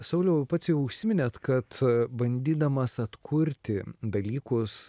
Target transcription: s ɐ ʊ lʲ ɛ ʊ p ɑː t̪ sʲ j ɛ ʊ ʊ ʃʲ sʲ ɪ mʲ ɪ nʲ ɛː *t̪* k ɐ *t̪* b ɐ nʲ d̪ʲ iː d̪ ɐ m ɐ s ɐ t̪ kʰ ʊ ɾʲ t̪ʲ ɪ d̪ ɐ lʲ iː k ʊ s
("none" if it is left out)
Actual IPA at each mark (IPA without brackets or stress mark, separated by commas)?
t̪, t̪